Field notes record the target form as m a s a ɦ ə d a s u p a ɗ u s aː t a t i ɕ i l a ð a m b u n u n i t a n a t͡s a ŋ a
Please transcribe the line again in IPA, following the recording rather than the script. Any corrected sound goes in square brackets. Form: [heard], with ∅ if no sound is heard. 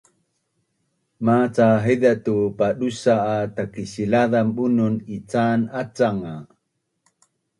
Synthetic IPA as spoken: m a [t͡s] a ɦ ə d a [t] u p a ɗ u s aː t a [k] i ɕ i l a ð a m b u n u n i [t͡s] a n a t͡s a ŋ a